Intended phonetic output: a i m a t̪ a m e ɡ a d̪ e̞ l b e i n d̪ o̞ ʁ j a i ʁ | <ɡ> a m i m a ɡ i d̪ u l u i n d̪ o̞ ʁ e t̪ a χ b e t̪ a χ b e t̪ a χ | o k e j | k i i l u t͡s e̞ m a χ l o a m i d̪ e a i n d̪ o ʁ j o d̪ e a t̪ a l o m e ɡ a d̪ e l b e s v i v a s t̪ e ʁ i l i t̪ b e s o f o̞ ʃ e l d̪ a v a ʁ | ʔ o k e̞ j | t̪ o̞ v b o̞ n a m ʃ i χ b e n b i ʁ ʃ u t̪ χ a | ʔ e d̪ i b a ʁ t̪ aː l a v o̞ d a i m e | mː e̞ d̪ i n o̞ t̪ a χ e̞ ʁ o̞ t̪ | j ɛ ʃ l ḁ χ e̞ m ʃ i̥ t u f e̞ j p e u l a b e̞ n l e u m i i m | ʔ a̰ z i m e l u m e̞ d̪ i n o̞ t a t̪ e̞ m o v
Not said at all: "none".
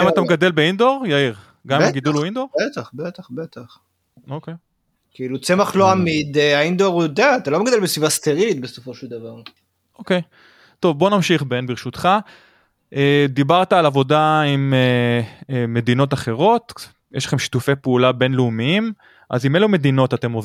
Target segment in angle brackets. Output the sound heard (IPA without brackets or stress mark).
ɡ